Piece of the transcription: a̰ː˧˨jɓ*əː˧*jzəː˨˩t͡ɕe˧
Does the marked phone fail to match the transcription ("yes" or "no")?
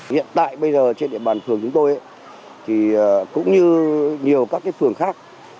yes